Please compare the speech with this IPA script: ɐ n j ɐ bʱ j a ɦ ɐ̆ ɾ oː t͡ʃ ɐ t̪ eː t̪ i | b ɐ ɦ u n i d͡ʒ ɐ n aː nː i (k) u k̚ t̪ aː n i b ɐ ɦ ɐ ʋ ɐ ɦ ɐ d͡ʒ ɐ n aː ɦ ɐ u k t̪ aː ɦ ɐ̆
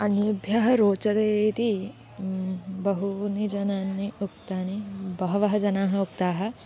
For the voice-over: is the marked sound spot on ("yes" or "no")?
no